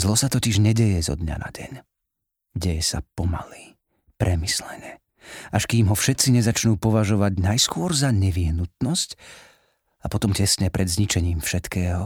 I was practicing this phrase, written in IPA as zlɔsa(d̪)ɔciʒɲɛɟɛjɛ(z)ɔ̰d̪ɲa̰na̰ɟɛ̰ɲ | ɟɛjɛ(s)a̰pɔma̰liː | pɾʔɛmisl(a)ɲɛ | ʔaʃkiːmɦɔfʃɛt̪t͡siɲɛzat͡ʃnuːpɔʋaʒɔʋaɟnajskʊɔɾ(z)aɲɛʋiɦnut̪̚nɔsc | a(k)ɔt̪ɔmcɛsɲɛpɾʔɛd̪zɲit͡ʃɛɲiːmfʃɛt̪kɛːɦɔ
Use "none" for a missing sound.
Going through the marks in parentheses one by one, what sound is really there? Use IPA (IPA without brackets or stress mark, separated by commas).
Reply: t̪, z, s, ɛ, z, p